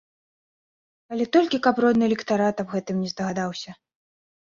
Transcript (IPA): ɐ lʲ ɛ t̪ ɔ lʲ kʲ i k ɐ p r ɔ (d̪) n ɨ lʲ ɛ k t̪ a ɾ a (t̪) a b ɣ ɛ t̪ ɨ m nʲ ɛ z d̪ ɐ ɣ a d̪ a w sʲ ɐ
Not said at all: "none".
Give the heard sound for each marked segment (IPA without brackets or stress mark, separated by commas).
d̪, t̪